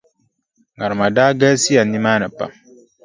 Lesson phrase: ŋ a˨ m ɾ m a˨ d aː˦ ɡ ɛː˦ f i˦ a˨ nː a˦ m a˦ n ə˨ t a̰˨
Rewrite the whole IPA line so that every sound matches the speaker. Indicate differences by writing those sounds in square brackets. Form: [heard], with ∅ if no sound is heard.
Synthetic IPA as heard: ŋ a˨ [∅] ɾ m a˨ d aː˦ ɡ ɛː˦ [s] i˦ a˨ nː [i˦] m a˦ n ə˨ [p] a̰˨